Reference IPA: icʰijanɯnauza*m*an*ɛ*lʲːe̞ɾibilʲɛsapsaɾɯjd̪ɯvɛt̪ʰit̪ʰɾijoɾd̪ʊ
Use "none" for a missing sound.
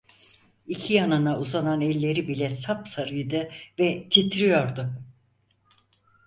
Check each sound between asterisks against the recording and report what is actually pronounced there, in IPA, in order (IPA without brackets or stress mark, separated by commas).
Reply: n, ɛ